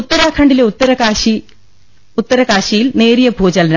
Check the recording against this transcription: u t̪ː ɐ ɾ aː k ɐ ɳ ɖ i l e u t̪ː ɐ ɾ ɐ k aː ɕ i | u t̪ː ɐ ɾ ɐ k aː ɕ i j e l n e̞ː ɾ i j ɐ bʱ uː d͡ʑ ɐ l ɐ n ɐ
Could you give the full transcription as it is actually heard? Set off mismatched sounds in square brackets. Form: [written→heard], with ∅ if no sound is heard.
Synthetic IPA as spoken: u t̪ː ɐ ɾ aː [k→kʰ] ɐ ɳ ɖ i l e u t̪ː ɐ ɾ ɐ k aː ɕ i | u t̪ː ɐ ɾ ɐ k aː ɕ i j [e→i] l n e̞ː ɾ i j ɐ bʱ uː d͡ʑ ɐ l ɐ n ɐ